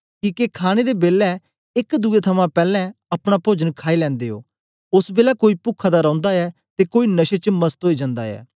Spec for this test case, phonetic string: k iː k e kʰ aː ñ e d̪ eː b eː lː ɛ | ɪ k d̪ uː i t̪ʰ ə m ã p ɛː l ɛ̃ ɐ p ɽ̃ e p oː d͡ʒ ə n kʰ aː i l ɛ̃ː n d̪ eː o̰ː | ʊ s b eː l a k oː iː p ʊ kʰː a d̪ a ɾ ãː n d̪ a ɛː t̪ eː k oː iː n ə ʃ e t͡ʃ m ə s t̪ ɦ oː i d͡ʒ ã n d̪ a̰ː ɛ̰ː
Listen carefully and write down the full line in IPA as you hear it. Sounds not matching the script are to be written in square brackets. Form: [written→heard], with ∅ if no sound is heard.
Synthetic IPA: k iː k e kʰ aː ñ e d̪ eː b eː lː ɛ | ɪ k d̪ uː [i→e] t̪ʰ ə m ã p ɛː l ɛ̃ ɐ p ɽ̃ [e→a] p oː d͡ʒ ə n kʰ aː i l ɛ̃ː n d̪ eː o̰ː | ʊ s b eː l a k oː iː p ʊ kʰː a d̪ a ɾ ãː n d̪ a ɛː t̪ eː k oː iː n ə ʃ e t͡ʃ m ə s t̪ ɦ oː i d͡ʒ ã n d̪ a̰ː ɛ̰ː